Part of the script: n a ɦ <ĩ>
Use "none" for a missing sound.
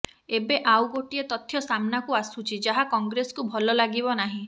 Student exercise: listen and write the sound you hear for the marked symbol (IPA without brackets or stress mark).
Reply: ĩ